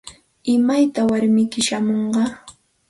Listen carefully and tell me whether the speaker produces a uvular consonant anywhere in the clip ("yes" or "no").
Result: yes